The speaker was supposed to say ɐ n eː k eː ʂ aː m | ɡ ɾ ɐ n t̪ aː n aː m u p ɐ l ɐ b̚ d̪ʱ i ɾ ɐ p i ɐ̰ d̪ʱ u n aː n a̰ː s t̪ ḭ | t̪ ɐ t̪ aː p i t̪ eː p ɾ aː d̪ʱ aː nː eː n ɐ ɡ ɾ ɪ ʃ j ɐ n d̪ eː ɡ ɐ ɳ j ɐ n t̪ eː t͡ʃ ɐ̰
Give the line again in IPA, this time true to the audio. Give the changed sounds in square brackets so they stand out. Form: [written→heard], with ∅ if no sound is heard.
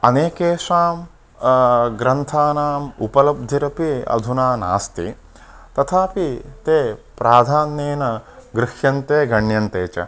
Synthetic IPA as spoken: ɐ n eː k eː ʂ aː m | ɡ ɾ ɐ n [t̪→t̪ʰ] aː n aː m u p ɐ l ɐ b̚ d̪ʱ i ɾ ɐ p i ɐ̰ d̪ʱ u n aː n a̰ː s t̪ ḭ | t̪ ɐ [t̪→t̪ʰ] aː p i t̪ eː p ɾ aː d̪ʱ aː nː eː n ɐ ɡ ɾ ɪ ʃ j ɐ n [d̪→t̪] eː ɡ ɐ ɳ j ɐ n t̪ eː t͡ʃ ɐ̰